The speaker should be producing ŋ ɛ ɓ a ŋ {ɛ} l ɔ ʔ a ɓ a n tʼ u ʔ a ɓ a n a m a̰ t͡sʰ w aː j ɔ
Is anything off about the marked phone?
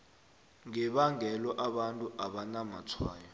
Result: no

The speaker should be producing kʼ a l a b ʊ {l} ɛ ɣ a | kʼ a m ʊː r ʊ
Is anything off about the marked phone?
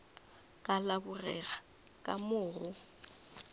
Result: yes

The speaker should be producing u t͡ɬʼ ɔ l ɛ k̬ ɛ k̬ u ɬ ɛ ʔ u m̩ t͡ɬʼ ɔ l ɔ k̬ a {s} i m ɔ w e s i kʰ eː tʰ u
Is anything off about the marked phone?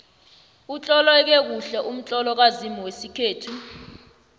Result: yes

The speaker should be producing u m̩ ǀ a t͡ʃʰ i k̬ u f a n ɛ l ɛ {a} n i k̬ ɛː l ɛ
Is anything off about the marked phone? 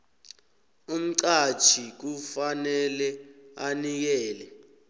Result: no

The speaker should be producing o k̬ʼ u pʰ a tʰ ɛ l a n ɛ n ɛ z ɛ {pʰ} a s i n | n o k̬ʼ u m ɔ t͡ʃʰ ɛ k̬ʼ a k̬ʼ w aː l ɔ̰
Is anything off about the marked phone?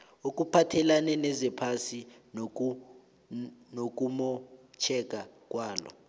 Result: no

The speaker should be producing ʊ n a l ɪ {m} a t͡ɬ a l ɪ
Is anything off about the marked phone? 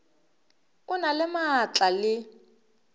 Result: no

